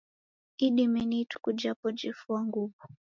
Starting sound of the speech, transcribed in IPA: i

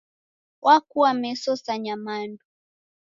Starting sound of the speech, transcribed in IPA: w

